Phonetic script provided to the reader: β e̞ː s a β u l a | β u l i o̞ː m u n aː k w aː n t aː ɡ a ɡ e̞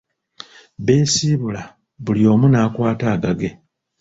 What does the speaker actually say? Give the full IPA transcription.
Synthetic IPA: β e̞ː s i β u l a | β u l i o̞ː m u n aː k w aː t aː ɡ a ɡ e̞